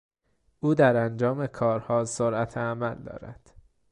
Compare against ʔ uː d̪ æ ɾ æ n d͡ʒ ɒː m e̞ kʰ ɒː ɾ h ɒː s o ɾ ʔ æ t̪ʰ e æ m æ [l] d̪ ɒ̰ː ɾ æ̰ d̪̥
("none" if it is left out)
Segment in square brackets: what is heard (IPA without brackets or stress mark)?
l